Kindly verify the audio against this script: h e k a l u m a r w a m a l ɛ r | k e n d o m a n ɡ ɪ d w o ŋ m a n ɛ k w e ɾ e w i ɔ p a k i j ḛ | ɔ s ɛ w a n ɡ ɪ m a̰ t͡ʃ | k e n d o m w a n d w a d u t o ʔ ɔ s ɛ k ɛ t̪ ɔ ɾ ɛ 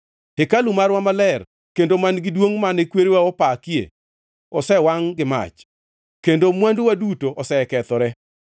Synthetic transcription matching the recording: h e k a l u m a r w a m a l ɛ r | k e n d o m a n ɡ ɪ d w o ŋ m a n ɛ k w e ɾ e w a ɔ p a k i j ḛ | ɔ s ɛ w a ŋ ɡ ɪ m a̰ t͡ʃ | k e n d o m w a n d w a d u t o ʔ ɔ s ɛ k ɛ t̪ ɔ ɾ ɛ